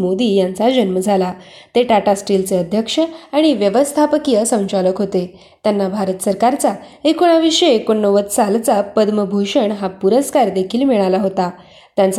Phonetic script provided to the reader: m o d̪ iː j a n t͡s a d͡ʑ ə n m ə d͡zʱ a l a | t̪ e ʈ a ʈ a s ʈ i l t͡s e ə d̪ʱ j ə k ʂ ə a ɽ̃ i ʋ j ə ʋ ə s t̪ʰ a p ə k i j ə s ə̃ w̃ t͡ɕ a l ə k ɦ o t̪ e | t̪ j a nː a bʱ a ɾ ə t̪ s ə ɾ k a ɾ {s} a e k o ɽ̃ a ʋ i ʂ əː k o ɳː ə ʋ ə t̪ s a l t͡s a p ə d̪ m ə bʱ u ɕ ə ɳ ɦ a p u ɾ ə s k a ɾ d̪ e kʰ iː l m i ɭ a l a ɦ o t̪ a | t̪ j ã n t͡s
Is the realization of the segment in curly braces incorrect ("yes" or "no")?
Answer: yes